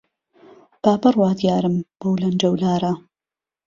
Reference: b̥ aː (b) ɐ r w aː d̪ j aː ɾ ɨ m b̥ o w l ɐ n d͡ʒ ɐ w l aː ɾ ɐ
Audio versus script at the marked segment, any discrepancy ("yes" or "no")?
no